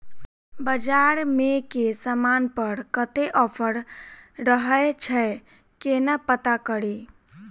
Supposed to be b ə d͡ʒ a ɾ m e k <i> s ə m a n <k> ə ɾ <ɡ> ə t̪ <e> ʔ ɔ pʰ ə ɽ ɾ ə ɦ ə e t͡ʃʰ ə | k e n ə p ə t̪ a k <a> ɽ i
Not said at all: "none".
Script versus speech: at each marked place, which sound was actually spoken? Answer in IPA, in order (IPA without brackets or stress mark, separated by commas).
e, p, k, e, ə